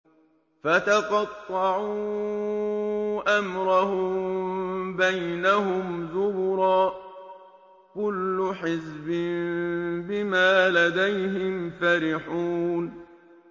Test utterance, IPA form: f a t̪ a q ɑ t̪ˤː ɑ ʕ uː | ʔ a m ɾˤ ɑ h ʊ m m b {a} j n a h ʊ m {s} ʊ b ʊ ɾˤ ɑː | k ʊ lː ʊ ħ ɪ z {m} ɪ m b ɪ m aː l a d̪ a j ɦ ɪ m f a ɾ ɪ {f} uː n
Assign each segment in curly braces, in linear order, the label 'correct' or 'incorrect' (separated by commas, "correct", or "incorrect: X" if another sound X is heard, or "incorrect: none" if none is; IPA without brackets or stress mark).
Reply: correct, incorrect: z, incorrect: b, incorrect: ħ